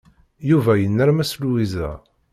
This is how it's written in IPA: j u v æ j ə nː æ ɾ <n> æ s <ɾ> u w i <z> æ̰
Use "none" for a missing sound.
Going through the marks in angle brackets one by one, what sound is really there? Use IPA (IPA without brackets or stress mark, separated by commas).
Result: m, l, z